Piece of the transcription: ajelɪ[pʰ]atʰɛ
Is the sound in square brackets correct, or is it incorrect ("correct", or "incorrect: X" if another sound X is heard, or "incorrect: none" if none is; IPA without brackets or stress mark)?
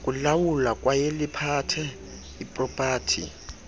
correct